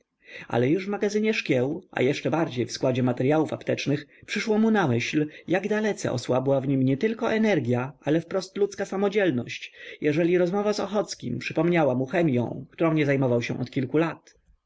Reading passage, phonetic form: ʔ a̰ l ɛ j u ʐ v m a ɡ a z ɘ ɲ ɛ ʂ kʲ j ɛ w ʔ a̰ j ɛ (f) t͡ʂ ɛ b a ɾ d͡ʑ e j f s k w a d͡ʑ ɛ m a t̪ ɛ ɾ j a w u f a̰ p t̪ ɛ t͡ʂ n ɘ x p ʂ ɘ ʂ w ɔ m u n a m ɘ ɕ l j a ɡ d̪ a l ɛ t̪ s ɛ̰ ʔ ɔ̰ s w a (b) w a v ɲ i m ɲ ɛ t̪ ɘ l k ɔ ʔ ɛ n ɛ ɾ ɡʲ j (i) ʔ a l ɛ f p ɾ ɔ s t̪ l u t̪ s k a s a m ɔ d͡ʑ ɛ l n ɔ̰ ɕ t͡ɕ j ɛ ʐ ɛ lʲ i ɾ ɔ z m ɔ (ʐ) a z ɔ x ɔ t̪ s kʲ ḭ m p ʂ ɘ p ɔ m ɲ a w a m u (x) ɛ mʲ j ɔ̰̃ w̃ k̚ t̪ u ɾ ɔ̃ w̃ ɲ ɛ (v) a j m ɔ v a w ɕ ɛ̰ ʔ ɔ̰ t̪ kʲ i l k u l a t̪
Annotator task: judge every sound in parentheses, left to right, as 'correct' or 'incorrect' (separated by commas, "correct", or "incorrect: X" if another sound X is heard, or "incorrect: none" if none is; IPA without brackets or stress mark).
incorrect: ʂ, correct, incorrect: a, incorrect: v, correct, incorrect: z